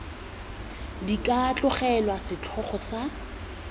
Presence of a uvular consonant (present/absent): present